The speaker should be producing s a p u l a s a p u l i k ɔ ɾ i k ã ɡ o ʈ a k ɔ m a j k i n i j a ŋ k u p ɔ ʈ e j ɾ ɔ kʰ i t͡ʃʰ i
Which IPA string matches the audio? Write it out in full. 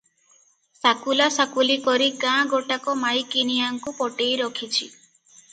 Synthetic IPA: s a k u l a s a k u l i k ɔ ɾ i k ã ɡ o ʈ a k ɔ m a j k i n i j a ŋ k u p ɔ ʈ e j ɾ ɔ kʰ i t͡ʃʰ i